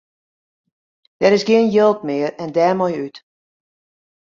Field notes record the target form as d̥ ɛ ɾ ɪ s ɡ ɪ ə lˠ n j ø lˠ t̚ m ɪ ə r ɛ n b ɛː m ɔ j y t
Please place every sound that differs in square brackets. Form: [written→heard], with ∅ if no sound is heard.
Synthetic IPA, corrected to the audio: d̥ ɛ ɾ ɪ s ɡ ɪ ə [lˠ→∅] n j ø lˠ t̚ m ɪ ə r ɛ n [b→d] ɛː m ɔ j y t